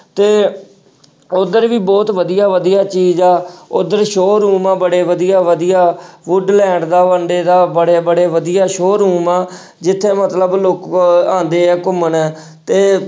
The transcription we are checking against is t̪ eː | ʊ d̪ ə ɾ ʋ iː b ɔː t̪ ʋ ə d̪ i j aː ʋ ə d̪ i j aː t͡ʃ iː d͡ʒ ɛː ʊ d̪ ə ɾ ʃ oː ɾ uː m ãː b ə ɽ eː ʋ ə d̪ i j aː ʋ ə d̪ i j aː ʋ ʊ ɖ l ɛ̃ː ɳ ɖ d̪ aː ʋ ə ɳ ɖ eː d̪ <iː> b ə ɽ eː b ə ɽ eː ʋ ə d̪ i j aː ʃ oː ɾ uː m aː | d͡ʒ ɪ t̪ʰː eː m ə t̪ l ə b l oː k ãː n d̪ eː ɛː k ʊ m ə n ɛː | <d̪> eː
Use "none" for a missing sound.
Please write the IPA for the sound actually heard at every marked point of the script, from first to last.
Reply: aː, t̪

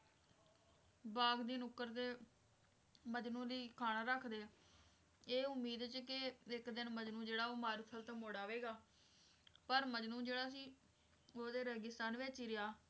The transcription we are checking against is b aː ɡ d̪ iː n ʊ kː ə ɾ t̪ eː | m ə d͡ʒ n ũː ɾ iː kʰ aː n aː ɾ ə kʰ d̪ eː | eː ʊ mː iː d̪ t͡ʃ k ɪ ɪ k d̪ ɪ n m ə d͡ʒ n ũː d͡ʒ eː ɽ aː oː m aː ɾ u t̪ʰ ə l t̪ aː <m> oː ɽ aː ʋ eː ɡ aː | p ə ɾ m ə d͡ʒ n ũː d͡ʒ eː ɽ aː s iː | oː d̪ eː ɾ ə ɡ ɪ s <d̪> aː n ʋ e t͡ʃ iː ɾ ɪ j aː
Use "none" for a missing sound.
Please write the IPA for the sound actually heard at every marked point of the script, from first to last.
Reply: m, t̪

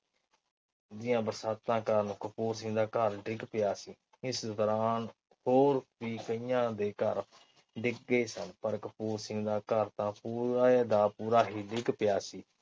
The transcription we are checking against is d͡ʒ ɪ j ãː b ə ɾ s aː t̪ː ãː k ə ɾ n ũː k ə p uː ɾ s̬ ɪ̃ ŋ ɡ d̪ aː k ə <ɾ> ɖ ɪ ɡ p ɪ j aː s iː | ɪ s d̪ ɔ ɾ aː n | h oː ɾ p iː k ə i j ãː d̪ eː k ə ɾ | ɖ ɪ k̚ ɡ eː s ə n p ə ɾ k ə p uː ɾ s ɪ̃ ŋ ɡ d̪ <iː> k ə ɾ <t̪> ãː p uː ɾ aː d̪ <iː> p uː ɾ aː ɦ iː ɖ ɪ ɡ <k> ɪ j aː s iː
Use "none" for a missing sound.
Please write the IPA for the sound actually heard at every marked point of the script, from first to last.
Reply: ɾ, aː, t̪, aː, p

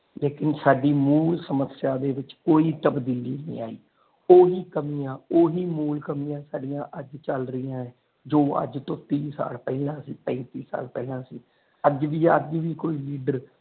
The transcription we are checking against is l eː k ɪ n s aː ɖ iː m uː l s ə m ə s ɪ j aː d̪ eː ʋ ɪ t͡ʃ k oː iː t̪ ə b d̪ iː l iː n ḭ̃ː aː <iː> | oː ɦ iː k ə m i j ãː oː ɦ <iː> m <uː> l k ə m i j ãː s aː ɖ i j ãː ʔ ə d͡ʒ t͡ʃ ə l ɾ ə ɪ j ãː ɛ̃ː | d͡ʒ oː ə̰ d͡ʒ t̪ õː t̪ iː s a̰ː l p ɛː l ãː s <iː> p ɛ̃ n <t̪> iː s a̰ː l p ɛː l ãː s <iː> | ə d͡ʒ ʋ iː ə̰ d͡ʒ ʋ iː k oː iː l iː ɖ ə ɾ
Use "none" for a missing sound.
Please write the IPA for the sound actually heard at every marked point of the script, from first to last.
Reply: iː, iː, uː, iː, t̪, iː

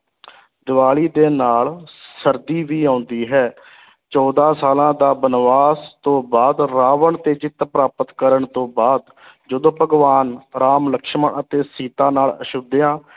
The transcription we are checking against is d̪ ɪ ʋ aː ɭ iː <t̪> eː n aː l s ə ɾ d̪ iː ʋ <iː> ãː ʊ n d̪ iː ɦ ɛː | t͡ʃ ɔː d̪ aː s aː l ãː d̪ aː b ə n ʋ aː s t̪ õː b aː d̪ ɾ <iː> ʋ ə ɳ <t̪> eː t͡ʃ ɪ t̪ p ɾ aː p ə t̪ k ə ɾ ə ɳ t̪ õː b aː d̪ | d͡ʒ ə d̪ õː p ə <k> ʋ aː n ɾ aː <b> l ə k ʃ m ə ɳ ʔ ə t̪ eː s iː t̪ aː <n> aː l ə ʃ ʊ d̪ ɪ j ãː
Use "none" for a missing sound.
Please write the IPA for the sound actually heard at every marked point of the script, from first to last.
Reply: d̪, iː, aː, t̪, ɡ, m, n

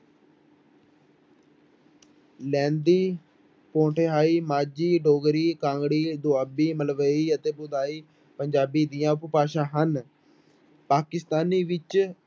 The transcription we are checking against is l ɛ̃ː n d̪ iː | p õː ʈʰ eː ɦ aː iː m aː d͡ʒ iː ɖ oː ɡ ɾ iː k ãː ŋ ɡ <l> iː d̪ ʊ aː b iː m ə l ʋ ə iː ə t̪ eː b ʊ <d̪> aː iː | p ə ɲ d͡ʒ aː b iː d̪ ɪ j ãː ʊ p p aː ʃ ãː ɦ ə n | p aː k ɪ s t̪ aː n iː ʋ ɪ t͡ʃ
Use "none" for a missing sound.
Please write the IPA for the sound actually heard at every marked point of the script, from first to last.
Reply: ɽ, d̪

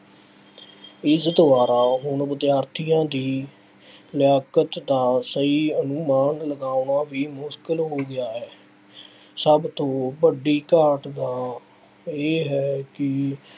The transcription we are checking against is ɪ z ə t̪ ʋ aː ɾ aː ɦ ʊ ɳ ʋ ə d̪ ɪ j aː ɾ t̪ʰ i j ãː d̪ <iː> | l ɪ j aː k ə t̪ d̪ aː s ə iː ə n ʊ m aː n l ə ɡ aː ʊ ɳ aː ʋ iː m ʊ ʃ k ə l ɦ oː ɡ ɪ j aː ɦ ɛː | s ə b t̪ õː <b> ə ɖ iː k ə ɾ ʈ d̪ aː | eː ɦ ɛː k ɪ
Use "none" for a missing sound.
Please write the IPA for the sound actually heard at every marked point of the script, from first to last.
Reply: iː, b

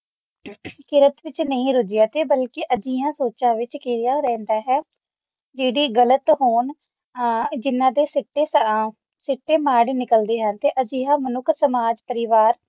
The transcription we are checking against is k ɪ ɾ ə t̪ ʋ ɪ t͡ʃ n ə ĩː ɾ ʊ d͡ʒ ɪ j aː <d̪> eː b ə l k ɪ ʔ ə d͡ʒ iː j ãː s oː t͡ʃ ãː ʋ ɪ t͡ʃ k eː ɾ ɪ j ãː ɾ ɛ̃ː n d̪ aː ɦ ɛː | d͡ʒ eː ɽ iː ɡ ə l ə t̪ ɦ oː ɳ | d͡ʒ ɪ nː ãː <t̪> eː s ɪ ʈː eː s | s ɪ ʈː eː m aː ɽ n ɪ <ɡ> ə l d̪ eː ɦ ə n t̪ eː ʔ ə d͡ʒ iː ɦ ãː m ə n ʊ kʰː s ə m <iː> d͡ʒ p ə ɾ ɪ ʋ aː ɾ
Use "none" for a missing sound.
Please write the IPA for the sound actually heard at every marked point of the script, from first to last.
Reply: t̪, d̪, k, aː

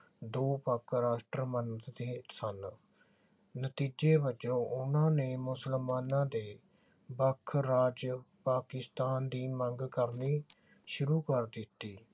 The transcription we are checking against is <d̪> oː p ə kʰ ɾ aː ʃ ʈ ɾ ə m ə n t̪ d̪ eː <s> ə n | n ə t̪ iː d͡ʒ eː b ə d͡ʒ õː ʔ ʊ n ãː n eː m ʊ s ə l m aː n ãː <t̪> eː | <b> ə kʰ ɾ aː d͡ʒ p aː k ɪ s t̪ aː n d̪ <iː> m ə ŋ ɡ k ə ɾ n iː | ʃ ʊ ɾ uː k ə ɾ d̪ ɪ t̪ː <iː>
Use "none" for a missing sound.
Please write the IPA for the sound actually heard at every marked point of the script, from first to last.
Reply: d̪, s, d̪, b, iː, iː

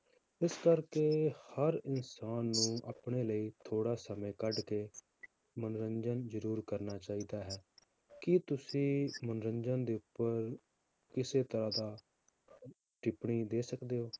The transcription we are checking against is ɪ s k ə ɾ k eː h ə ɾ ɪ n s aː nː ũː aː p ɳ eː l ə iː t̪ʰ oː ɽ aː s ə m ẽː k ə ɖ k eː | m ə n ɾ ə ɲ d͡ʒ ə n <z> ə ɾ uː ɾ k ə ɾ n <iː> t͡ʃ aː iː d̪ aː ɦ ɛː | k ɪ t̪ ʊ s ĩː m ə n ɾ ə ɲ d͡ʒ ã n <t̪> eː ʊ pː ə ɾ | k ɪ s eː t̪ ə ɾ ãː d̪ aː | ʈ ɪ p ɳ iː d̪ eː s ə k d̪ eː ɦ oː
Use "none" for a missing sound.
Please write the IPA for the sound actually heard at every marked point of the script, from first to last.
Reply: z, aː, d̪

